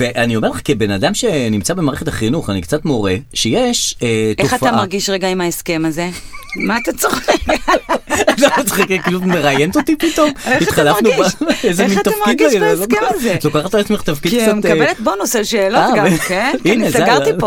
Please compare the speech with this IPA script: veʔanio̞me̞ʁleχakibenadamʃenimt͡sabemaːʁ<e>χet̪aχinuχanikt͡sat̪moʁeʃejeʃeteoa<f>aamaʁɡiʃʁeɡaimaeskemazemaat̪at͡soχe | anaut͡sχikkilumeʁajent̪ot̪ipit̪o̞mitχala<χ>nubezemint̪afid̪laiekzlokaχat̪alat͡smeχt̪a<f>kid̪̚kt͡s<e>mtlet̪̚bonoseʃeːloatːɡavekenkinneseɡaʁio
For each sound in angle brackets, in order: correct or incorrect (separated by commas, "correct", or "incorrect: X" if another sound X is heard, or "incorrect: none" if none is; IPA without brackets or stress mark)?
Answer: correct, correct, incorrect: f, correct, incorrect: a